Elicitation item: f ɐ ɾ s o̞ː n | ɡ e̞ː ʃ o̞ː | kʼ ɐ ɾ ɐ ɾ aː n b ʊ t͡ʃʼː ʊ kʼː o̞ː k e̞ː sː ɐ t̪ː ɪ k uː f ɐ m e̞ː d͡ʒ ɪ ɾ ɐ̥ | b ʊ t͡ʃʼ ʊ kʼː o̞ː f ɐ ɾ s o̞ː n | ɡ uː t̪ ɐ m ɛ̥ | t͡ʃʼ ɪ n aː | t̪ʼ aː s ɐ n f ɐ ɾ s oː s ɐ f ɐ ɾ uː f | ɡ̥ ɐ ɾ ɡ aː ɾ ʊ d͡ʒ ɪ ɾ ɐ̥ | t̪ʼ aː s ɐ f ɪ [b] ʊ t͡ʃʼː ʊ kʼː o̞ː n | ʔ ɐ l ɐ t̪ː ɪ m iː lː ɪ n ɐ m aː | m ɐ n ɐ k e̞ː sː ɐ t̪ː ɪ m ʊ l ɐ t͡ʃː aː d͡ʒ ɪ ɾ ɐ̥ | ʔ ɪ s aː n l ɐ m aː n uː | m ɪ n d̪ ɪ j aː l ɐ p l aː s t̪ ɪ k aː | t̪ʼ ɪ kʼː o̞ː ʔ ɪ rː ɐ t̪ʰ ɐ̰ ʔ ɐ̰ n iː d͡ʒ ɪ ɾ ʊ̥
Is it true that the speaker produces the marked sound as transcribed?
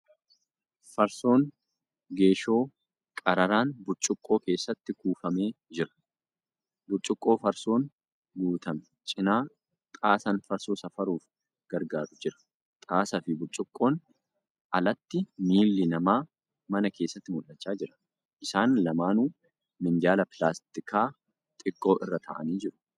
yes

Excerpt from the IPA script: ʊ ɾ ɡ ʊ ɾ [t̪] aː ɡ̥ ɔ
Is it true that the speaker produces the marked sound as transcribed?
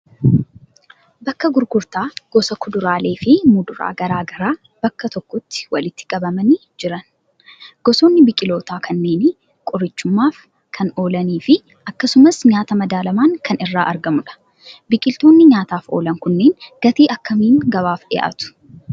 yes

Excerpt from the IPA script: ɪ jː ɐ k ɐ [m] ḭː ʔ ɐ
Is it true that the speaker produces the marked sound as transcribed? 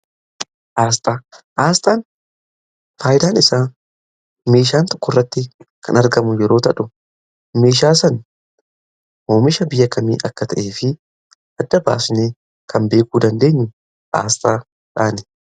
yes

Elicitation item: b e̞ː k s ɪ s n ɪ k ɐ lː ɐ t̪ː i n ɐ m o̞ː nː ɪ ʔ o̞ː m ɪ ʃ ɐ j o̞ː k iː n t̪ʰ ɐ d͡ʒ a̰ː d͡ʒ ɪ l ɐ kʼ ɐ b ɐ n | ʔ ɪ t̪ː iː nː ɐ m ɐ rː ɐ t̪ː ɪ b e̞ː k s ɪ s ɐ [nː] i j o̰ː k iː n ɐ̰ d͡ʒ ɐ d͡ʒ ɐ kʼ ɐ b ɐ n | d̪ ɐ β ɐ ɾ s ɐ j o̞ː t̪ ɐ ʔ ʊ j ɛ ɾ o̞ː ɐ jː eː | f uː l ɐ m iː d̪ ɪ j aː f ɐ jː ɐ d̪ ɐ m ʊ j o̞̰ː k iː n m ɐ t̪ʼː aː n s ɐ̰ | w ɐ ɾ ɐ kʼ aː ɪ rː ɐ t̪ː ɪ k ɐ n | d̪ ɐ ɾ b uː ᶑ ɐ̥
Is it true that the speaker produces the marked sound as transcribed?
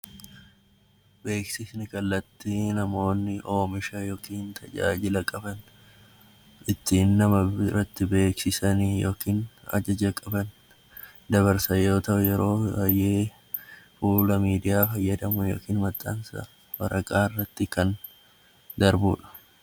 no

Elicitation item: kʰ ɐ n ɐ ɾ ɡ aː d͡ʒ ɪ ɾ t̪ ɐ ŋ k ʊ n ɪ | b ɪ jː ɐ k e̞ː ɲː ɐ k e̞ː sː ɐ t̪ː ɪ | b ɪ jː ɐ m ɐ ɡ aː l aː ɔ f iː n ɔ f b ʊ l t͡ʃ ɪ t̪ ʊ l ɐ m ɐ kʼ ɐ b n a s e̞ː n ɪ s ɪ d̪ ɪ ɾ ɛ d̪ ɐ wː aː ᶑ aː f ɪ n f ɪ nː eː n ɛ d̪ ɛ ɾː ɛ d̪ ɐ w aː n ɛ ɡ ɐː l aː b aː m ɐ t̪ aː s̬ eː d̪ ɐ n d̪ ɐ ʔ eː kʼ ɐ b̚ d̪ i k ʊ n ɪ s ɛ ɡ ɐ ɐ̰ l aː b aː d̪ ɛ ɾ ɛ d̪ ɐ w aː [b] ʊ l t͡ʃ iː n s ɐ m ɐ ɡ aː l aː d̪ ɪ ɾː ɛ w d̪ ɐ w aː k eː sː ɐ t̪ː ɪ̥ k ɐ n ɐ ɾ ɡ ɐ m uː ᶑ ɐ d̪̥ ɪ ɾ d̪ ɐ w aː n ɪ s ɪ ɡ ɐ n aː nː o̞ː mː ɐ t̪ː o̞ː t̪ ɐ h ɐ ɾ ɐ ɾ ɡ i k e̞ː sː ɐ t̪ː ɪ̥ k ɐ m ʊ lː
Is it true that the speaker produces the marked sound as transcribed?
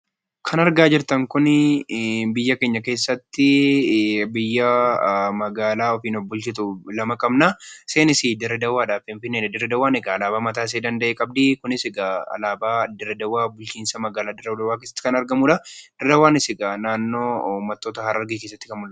yes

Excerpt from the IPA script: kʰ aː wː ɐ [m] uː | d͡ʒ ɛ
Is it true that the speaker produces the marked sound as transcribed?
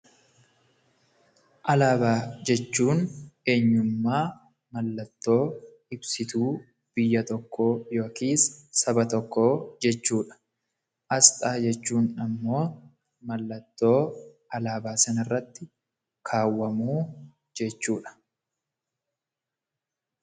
yes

